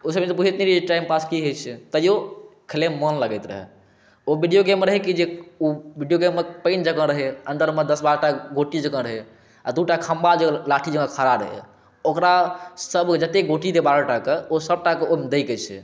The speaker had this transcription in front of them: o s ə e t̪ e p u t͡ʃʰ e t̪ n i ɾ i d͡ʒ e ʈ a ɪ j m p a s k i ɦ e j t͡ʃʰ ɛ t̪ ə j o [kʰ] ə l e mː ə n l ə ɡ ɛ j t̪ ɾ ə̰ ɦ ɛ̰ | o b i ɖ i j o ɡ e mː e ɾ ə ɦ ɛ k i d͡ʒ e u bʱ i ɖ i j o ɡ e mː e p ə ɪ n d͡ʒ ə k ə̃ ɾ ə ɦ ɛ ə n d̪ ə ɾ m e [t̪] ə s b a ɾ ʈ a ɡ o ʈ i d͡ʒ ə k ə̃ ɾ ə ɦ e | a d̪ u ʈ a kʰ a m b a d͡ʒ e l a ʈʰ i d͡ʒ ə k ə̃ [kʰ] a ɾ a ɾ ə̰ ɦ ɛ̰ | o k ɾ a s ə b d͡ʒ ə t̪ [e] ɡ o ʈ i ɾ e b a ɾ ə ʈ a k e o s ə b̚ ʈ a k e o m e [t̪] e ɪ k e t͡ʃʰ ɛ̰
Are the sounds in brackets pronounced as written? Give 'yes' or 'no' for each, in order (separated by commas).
yes, no, yes, yes, no